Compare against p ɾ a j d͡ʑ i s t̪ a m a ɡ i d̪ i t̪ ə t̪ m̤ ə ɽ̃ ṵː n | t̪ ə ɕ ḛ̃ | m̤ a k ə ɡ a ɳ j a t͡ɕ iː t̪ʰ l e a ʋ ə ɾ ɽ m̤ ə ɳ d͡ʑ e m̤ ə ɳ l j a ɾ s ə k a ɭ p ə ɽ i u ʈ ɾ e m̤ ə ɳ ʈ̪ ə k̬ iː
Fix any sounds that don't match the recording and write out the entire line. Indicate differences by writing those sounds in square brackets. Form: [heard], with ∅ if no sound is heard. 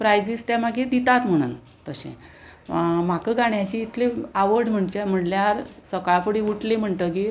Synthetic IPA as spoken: p ɾ a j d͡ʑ i s t̪ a m a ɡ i d̪ i t̪ [a] t̪ m̤ ə ɽ̃ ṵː n | t̪ ə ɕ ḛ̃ | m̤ a k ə ɡ a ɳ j a t͡ɕ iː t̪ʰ l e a ʋ ə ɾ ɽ m̤ ə ɳ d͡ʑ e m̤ ə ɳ l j a ɾ s ə k a ɭ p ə ɽ i u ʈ [l] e m̤ ə ɳ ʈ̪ ə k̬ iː